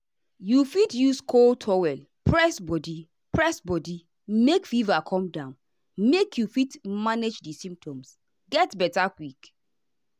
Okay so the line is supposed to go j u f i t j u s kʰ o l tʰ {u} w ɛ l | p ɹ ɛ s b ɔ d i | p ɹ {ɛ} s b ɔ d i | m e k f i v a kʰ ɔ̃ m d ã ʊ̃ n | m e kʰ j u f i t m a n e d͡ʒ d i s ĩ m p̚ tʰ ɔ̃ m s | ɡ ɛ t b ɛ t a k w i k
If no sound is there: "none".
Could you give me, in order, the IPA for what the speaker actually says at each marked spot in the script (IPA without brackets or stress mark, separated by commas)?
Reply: ɔ, ɛ